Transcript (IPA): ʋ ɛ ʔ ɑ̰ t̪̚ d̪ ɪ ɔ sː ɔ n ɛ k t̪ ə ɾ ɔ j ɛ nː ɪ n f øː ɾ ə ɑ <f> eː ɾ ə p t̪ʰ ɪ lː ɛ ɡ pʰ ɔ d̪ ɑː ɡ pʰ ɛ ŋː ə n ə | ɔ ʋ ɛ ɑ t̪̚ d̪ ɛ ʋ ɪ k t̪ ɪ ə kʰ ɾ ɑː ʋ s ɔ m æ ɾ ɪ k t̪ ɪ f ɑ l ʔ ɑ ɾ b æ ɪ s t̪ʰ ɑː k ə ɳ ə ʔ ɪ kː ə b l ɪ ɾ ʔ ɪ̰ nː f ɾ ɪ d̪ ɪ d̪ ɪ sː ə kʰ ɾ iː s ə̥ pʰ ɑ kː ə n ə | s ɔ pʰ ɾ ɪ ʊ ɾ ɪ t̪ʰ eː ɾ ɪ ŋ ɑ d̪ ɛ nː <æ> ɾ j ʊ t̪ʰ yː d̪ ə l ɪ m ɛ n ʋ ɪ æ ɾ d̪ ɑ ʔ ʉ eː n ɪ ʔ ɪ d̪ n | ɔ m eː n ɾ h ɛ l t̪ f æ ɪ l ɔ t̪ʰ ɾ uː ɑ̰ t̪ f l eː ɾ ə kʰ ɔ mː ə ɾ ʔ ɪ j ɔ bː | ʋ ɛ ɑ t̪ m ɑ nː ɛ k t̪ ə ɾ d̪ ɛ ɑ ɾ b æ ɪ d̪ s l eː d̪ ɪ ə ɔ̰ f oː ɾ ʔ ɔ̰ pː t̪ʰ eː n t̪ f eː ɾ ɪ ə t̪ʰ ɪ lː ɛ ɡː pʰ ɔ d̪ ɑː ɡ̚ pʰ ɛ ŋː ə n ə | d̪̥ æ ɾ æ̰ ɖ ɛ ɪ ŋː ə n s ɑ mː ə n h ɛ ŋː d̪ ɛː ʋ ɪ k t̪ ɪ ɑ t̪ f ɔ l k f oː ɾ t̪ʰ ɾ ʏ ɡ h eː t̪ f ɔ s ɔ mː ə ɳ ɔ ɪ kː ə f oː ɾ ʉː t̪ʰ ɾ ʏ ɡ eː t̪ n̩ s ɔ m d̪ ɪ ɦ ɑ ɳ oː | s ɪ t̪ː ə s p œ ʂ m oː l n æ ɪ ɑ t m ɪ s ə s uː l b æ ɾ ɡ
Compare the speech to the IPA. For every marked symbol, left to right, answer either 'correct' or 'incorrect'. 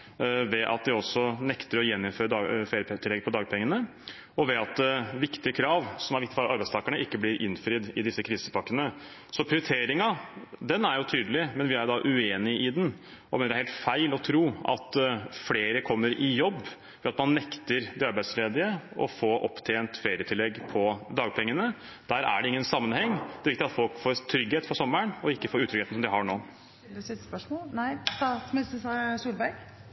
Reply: correct, correct

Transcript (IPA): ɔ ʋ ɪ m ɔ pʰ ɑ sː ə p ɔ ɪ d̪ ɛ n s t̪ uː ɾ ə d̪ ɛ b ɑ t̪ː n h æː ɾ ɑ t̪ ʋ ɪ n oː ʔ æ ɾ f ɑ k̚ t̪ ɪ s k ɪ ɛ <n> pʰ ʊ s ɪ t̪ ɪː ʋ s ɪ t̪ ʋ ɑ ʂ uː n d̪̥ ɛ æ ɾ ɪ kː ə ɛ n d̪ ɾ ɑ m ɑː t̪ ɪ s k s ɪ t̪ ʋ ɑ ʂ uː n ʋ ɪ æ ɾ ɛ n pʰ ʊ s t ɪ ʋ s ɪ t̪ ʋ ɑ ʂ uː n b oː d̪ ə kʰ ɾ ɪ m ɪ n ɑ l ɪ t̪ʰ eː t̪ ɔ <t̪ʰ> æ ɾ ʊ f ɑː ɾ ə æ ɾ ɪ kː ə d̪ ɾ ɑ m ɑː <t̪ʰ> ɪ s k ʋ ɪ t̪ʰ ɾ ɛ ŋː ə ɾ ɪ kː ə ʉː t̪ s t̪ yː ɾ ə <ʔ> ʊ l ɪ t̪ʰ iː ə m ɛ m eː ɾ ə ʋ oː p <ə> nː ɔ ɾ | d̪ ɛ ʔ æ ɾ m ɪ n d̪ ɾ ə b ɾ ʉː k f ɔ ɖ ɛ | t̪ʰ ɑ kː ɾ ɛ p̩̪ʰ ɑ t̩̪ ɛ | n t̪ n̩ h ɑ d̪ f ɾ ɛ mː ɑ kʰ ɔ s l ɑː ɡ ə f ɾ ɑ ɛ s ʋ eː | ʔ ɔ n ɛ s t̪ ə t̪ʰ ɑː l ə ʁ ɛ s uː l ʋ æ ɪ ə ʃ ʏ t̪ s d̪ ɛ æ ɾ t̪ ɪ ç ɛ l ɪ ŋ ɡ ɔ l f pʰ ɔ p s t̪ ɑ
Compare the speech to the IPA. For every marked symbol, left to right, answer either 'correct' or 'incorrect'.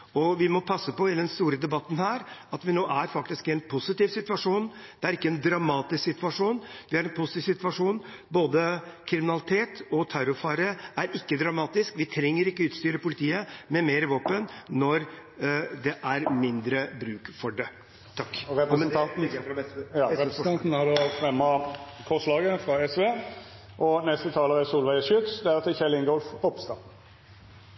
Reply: correct, correct, incorrect: t̪, incorrect: p, correct

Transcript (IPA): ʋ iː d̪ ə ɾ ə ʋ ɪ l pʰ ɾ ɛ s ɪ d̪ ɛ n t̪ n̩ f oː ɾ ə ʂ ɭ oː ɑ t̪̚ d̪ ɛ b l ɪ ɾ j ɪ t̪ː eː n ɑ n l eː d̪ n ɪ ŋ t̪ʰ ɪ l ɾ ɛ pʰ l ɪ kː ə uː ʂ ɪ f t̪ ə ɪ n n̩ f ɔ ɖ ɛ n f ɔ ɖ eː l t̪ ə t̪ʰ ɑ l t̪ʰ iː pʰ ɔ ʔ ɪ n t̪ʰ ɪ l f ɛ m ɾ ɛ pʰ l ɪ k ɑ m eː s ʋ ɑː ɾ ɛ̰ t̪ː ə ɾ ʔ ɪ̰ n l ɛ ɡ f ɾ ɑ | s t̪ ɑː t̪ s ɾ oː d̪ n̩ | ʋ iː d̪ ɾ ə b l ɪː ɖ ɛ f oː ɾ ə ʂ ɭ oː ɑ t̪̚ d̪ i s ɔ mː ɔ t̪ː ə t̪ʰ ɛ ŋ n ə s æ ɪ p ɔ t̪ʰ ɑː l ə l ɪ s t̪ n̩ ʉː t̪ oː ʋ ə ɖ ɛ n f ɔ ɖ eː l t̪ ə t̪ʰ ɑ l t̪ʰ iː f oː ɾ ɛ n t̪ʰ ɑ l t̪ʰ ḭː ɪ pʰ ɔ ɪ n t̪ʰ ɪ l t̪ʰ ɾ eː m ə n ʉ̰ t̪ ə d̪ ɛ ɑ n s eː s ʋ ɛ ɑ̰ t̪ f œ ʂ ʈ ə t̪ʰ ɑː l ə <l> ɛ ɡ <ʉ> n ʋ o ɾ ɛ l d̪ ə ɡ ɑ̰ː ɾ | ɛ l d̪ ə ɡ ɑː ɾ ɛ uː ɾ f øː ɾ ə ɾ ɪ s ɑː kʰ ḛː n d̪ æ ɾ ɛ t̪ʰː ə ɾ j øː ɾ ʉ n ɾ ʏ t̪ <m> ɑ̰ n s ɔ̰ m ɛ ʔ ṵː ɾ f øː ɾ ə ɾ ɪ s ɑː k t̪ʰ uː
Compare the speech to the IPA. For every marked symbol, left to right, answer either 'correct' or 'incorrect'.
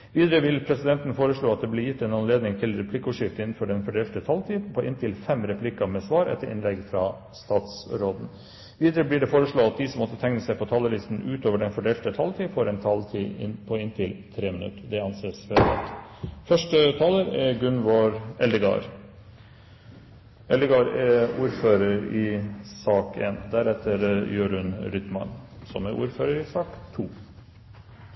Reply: incorrect: ɾ, correct, correct

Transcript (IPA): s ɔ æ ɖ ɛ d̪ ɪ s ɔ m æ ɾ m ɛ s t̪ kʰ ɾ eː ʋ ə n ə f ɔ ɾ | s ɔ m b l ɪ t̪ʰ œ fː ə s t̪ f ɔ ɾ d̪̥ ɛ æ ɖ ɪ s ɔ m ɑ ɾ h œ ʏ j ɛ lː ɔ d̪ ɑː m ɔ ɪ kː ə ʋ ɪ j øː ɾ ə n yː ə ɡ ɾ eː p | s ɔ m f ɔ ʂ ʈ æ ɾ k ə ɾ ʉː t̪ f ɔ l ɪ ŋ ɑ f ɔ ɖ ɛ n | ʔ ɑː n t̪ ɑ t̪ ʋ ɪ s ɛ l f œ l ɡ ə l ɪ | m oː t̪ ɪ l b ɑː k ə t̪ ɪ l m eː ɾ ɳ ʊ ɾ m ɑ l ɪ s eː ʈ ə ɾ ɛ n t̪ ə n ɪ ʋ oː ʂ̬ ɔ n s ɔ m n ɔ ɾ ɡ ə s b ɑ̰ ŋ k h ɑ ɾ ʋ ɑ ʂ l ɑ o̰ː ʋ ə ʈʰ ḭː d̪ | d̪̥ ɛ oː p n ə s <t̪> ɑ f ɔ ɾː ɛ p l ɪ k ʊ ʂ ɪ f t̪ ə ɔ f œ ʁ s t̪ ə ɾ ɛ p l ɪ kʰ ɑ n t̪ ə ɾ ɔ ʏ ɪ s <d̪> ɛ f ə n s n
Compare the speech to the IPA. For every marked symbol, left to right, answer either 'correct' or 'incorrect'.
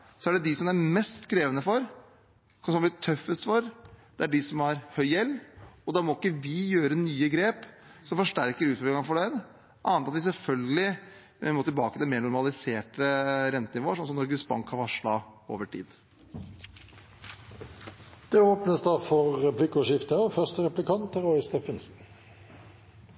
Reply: incorrect: d̪, incorrect: t̪

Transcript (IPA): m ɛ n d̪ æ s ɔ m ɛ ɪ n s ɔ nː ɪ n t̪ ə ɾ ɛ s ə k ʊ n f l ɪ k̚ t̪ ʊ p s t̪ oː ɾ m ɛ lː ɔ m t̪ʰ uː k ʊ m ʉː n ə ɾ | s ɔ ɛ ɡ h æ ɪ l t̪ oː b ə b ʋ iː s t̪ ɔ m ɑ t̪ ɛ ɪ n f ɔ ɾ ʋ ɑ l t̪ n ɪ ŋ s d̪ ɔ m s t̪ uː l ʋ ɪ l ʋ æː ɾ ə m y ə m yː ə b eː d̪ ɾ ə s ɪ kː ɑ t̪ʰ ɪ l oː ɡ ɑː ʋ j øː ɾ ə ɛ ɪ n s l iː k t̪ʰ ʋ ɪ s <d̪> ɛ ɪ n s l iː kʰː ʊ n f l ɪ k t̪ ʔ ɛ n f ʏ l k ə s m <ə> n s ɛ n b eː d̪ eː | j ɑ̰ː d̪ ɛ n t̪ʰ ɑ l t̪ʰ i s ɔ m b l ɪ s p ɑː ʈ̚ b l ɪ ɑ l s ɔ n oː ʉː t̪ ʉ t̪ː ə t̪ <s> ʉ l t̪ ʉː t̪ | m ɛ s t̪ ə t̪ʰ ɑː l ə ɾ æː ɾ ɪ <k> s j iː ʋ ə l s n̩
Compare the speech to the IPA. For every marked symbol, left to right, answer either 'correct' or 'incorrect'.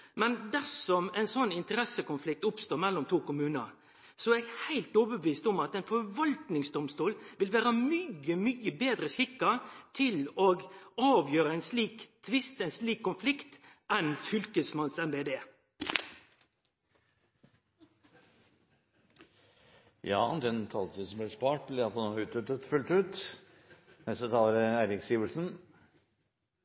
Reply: incorrect: t̪, incorrect: ɑ, incorrect: f, correct

